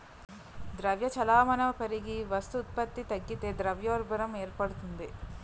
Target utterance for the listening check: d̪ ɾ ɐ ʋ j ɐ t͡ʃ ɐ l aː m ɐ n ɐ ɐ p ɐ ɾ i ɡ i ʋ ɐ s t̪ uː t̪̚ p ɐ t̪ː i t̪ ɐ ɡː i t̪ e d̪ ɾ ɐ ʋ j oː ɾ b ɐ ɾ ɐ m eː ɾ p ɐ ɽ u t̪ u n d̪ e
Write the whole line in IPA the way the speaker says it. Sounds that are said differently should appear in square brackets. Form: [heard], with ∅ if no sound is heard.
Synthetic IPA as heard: d̪ ɾ ɐ ʋ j ɐ t͡ʃ ɐ l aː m ɐ n ɐ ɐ p ɐ ɾ i ɡ i ʋ ɐ s t̪ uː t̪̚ p ɐ t̪ː i t̪ ɐ ɡː i t̪ e d̪ ɾ ɐ ʋ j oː ɾ b ɐ ɾ ɐ m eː ɾ p ɐ ɽ u t̪ u n d̪ e